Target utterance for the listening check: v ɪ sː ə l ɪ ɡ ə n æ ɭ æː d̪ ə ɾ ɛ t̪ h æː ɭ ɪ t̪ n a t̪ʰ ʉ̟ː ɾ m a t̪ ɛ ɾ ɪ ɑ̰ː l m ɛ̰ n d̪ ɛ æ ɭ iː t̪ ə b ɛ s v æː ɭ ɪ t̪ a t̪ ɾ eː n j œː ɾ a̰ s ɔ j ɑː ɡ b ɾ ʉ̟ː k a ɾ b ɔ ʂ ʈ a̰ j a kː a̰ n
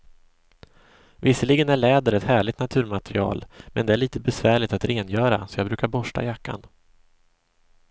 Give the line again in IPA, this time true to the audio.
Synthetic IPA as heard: v ɪ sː ə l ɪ ɡ ə n æ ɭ ɛː d̪ ə ɾ ɛ t̪ h æː ɭ ɪ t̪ n a t̪ʰ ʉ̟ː ɾ m a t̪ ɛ ɾ ɪ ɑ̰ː l m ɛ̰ n d̪ ɛ æ ɭ iː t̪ ə b ɛ s v æː ɭ ɪ t̪ a t̪ ɾ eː n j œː ɾ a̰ s ɔ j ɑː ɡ b ɾ ʉ̟ː k a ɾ b ɔ ʂ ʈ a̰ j a kː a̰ n